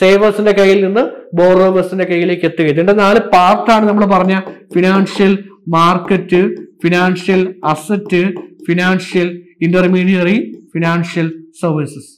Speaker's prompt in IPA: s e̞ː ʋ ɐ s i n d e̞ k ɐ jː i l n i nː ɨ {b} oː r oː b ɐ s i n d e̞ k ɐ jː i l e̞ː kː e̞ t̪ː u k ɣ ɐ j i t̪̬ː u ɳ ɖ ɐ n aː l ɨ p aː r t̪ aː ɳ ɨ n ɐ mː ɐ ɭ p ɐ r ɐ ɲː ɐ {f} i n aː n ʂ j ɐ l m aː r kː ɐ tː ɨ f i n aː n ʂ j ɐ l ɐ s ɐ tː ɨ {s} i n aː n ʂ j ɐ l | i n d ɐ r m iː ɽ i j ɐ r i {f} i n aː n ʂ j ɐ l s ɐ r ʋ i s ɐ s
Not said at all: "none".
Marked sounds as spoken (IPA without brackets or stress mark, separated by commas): b, f, f, f